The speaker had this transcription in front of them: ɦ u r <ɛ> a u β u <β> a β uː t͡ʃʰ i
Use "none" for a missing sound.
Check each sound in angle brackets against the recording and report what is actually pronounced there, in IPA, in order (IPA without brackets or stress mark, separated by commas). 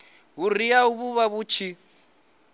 i, β